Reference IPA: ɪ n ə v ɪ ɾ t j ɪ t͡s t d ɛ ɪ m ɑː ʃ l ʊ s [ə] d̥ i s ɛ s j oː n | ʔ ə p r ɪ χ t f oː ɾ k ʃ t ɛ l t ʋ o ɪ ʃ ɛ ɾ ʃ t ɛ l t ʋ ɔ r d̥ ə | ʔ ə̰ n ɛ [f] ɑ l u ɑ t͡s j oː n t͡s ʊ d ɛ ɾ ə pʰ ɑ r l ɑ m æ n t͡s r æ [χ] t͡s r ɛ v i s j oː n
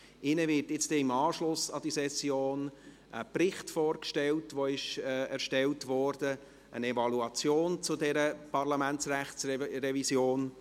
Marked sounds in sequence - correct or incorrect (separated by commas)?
incorrect, incorrect, correct